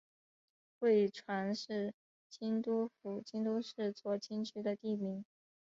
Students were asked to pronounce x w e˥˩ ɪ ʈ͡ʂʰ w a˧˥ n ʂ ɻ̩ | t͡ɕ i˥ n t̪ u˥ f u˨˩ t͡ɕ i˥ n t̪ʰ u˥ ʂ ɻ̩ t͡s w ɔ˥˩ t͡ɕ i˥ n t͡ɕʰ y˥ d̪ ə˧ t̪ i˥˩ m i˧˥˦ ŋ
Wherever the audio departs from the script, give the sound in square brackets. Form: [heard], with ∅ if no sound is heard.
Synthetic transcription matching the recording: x w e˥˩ ɪ ʈ͡ʂʰ w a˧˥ n ʂ ɻ̩ | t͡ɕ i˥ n t̪ u˥ f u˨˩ t͡ɕ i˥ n [t̪] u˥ ʂ ɻ̩ t͡s w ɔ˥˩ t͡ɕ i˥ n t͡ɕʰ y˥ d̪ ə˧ t̪ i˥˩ m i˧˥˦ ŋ